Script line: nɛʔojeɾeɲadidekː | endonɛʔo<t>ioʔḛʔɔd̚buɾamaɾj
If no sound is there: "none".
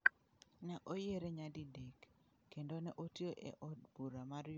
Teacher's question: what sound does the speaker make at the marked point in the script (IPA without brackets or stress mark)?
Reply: t